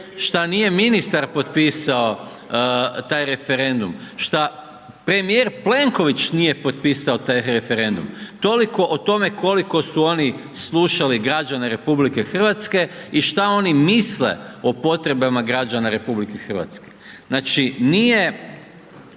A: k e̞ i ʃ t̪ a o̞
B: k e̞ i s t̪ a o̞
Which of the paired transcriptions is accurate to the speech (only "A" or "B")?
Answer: A